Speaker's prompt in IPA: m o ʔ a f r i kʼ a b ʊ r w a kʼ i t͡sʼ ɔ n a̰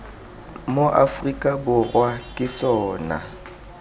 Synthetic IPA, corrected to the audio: m o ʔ a f r i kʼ a b ʊ r w a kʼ ɪ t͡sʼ ɔː n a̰

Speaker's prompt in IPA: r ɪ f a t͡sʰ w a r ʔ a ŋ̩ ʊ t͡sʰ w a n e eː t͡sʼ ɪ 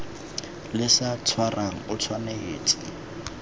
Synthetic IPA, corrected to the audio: l ɪ s a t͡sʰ w a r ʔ a ŋ̩ ʊ t͡sʰ w a n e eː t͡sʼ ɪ

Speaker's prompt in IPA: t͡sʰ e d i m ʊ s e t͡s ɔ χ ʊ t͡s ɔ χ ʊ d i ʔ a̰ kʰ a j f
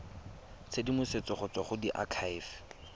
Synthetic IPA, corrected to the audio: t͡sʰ e d i m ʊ s e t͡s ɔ χ ʊ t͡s ɔ χ ʊ d i ʔ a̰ kʰ a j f

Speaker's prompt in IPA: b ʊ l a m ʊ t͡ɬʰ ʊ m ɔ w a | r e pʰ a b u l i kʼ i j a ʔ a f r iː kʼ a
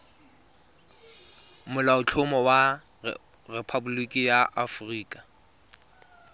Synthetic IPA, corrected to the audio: m ʊ l a ʊ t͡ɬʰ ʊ m ɔ w a | r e pʰ a b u l i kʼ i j a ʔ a f r iː kʼ a

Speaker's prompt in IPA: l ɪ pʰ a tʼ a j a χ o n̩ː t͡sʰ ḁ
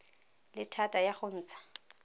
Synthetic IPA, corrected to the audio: l ɪ tʰ a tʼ a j a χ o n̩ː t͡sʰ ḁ

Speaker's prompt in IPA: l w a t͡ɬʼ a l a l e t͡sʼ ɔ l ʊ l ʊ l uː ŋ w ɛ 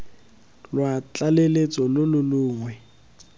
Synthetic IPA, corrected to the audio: l w a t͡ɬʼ a l e l e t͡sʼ ɔ l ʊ l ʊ l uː ŋ w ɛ

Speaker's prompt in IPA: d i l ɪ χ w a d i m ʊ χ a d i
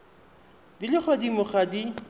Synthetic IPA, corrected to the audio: d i l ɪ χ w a d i m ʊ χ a d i

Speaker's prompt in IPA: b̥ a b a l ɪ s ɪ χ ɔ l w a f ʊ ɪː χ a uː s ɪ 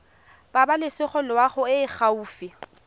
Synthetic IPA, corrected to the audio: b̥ a b a l ɪ s ɪ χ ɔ l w a χ ʊ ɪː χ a uː f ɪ

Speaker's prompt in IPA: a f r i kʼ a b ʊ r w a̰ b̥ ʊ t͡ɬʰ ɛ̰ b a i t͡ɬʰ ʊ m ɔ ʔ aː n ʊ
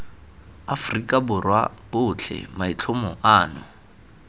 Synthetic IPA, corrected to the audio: a f r i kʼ a b ʊ r w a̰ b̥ ʊ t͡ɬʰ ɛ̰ m a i t͡ɬʰ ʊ m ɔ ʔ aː n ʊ

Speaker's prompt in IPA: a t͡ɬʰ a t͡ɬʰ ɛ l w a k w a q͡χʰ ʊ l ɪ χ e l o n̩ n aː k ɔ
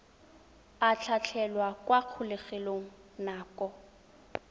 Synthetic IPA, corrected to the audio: a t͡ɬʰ a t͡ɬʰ ɛ l w a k w a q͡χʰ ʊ l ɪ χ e l o ŋ̩ n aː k ɔ

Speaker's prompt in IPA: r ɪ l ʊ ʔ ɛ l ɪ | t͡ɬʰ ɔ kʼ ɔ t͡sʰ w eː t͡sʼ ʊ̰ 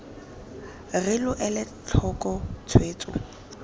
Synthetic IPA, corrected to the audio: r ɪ l ʊ ʔ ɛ l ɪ | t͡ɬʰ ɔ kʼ ɔ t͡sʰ w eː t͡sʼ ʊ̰

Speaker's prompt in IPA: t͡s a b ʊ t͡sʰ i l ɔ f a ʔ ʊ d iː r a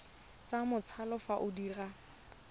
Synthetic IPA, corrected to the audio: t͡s a m ʊ t͡sʰ a l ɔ f a ʔ ʊ d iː r a

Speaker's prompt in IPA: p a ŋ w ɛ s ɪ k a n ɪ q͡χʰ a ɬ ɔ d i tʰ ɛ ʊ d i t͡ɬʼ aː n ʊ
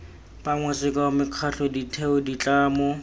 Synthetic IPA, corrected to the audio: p a ŋ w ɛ s ɪ k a m ɪ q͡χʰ a ɬ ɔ d i tʰ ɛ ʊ d i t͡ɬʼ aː m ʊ

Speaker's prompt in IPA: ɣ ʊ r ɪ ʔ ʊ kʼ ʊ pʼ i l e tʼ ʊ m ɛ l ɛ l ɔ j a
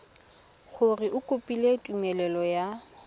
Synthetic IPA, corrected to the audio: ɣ ʊ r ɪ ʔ ʊ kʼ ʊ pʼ i l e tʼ u m ɛ l ɛ l ɔ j a

